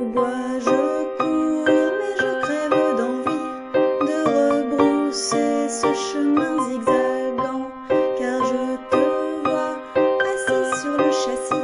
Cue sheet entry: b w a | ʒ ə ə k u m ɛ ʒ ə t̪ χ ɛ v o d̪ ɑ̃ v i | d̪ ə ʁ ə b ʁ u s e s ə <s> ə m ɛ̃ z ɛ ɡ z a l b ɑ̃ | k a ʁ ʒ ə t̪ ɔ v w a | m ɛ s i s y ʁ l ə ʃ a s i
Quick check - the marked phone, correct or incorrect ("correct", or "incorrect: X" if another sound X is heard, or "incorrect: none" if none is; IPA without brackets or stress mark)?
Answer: incorrect: ʃ